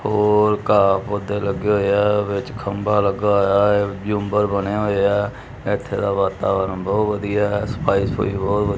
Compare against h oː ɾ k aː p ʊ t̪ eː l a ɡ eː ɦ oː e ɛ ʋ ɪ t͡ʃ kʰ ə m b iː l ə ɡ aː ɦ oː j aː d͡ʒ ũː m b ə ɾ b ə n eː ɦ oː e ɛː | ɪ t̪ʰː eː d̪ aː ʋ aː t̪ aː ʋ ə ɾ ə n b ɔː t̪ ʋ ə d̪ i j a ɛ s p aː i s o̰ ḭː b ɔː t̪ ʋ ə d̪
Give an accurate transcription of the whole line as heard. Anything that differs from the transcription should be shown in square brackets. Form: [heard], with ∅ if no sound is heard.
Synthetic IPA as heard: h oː ɾ k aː p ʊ [d̪] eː l [ə] ɡ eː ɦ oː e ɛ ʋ ɪ t͡ʃ kʰ ə m b [aː] l ə ɡ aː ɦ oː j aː d͡ʒ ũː m b ə ɾ b ə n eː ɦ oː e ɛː | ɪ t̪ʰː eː d̪ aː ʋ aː t̪ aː ʋ ə ɾ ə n b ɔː t̪ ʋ ə d̪ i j a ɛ s p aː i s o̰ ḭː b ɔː t̪ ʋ ə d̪

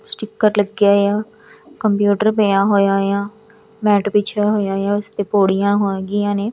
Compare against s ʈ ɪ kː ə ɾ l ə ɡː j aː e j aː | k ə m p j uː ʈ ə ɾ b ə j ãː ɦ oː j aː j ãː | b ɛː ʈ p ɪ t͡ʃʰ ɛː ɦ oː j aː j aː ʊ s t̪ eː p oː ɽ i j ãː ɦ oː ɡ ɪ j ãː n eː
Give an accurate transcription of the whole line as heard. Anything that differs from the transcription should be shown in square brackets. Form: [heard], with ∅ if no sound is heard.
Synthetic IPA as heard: s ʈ ɪ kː ə ɾ l ə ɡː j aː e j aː | k ə m p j uː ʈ ə ɾ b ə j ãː ɦ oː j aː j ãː | [m] ɛː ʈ p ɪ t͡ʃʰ [aː] ɦ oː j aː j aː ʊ s t̪ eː p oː ɽ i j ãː ɦ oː ɡ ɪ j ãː n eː

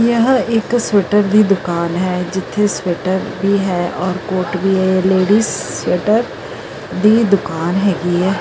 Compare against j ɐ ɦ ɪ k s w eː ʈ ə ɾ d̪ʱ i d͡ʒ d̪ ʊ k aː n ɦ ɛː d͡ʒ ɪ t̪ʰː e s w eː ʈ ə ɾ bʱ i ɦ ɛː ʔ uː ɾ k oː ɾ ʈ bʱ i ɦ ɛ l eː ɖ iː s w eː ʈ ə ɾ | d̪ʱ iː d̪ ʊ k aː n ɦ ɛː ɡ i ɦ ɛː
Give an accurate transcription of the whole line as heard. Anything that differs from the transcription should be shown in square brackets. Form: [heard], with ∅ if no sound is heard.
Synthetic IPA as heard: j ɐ ɦ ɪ k s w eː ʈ ə ɾ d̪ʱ i [∅] d̪ ʊ k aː n ɦ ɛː d͡ʒ ɪ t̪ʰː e s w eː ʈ ə ɾ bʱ i ɦ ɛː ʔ [ɔː] ɾ k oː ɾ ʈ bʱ i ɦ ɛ l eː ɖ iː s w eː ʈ ə ɾ | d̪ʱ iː d̪ ʊ k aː n ɦ ɛː ɡ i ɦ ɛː

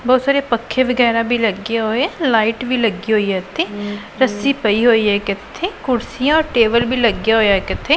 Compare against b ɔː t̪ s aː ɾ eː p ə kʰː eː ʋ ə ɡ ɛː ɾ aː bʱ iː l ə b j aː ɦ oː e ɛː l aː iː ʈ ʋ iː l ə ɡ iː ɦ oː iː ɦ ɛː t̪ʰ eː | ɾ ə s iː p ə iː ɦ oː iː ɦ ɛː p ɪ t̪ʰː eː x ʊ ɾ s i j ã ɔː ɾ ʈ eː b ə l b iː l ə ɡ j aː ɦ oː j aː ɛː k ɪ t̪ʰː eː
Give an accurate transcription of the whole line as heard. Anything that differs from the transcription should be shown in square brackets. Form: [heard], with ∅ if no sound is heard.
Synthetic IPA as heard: b ɔː t̪ s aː ɾ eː p ə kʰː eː ʋ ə ɡ ɛː ɾ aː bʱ iː l ə [ɡ] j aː ɦ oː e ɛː l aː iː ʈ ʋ iː l ə ɡ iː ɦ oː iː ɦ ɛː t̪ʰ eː | ɾ ə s iː p ə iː ɦ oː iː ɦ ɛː [k] ɪ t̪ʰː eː [k] ʊ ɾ s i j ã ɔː ɾ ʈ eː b ə l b iː l ə ɡ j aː ɦ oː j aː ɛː k ɪ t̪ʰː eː

